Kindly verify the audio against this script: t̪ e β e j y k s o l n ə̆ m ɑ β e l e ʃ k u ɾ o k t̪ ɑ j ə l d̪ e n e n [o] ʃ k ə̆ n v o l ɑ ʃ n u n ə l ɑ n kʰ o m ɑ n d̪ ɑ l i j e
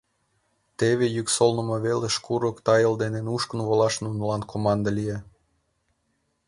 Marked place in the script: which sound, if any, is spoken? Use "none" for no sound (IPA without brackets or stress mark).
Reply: u